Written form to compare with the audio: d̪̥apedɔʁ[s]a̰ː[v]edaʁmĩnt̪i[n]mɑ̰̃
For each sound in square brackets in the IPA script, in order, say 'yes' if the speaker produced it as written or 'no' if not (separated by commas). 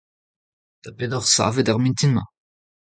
yes, yes, yes